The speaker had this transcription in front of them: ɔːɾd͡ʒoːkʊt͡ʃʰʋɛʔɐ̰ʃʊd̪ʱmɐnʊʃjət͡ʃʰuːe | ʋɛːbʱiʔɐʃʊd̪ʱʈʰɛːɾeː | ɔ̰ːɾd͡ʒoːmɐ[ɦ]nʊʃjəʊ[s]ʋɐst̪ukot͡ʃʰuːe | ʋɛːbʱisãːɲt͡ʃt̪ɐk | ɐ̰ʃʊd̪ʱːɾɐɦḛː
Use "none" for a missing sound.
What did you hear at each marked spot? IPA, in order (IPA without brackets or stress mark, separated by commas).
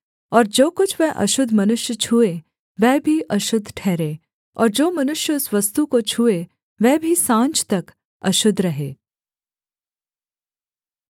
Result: none, s